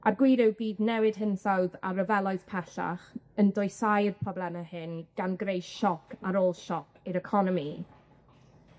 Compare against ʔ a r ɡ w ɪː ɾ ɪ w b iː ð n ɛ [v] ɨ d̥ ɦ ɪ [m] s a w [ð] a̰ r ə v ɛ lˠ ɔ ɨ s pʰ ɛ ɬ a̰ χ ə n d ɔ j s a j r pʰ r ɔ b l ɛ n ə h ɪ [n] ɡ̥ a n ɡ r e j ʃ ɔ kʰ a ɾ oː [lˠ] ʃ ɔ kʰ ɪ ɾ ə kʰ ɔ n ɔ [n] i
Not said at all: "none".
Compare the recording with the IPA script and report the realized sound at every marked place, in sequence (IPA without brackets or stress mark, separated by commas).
w, n, ð, n, lˠ, m